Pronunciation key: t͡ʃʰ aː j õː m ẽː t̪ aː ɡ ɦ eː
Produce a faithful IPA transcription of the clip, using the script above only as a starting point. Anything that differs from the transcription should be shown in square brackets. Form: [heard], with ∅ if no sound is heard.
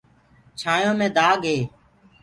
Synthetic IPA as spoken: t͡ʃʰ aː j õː m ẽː [d̪] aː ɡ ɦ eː